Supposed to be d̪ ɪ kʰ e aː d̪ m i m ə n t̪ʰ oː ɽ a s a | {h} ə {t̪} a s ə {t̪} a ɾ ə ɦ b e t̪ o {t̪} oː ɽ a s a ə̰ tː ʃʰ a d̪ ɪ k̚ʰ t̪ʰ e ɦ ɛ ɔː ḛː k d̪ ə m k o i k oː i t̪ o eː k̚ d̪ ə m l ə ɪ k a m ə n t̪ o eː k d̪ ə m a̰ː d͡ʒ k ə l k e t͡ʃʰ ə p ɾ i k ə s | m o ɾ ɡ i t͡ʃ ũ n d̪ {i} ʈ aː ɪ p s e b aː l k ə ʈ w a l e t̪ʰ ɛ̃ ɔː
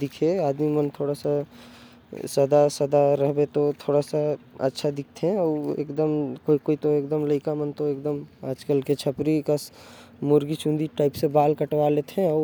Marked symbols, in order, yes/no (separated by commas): no, no, no, no, yes